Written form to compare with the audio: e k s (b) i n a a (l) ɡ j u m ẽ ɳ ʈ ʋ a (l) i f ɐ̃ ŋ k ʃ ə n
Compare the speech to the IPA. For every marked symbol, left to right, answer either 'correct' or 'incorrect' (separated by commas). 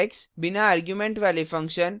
correct, incorrect, correct